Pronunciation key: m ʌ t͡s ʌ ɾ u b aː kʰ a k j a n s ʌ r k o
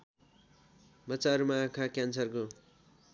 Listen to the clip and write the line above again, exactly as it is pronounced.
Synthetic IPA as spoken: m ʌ t͡s a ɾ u m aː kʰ a k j a n s ʌ r k o